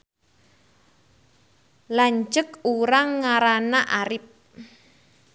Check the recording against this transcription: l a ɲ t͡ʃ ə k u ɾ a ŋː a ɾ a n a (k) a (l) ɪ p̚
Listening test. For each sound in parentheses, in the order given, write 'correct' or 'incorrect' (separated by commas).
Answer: incorrect, incorrect